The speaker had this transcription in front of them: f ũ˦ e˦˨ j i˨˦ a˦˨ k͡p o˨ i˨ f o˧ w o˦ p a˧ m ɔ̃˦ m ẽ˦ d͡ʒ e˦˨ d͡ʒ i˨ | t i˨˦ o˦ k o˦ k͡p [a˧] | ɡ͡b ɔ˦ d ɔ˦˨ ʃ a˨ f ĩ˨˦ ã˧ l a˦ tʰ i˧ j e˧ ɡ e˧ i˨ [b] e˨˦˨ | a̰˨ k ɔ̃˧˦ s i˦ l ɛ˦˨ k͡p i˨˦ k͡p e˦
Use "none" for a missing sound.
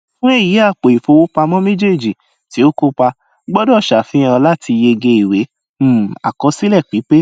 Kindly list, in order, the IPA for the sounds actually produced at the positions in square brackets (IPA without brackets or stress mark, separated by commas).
a˧, w